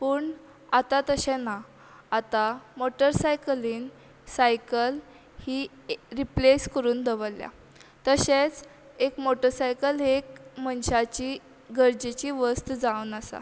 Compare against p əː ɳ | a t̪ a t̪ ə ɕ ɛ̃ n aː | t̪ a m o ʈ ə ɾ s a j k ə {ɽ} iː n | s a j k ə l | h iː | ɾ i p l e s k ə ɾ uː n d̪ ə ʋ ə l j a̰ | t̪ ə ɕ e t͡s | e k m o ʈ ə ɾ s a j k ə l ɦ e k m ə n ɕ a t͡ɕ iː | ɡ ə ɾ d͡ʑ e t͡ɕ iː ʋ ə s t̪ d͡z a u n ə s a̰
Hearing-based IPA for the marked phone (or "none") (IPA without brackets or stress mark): l